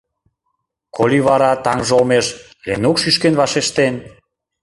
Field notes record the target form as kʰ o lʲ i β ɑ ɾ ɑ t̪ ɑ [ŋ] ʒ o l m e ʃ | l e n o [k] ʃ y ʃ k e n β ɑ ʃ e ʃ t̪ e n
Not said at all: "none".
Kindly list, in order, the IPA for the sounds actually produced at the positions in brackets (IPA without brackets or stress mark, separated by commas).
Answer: ŋ, k